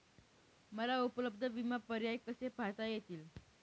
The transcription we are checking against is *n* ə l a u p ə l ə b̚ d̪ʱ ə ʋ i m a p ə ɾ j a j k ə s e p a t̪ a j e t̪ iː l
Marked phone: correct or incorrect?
incorrect